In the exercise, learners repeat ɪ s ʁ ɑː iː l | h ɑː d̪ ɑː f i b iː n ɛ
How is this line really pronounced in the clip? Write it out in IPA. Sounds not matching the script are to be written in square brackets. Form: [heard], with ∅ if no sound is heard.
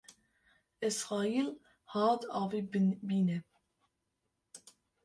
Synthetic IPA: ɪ s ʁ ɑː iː l | h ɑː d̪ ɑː [v] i b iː n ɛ